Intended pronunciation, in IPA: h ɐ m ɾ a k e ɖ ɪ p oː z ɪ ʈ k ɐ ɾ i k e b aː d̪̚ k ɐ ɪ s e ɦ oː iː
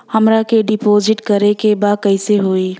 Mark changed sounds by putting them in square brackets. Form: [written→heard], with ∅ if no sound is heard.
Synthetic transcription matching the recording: h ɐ m ɾ a k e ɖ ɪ p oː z ɪ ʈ k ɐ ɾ [i→e] k e b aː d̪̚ k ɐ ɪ s e ɦ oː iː